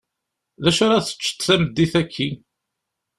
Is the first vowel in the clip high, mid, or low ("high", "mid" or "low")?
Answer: low